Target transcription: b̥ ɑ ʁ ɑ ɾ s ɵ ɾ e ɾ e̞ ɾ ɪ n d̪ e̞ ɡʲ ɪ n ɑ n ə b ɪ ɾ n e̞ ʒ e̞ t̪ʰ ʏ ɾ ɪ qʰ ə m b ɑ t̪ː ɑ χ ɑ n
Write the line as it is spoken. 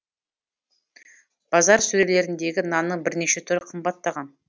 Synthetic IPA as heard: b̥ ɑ z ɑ ɾ s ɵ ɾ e l e̞ ɾ ɪ n d̪ e̞ ɡʲ ɪ n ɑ n ə b ɪ ɾ n e̞ ʃ e̞ t̪ʰ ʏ ɾ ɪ qʰ ə m b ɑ t̪ː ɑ ʁ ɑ n